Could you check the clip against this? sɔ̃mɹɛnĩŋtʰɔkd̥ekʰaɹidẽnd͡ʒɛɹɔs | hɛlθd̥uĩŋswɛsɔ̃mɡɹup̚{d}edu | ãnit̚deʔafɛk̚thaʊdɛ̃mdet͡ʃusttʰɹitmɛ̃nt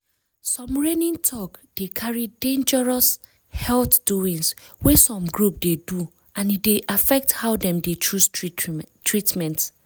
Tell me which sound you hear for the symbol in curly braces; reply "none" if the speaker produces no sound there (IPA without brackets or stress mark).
d